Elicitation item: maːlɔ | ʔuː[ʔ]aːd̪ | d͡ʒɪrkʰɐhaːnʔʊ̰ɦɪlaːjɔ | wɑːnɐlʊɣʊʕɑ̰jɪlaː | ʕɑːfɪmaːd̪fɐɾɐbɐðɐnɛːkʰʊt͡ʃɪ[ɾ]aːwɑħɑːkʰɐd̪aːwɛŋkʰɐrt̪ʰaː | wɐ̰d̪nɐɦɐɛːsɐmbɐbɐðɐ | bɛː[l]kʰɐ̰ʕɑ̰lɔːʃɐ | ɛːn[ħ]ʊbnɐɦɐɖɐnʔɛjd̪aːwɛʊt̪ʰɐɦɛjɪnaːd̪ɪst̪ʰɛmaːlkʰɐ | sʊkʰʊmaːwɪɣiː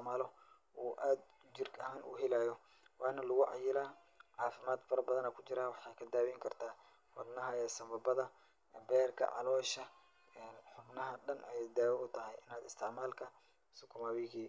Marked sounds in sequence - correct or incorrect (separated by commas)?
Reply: correct, correct, incorrect, correct